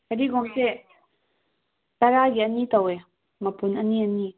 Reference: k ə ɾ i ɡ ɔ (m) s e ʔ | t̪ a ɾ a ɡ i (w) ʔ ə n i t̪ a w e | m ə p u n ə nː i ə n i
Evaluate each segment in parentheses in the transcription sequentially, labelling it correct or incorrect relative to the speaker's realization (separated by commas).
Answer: incorrect, incorrect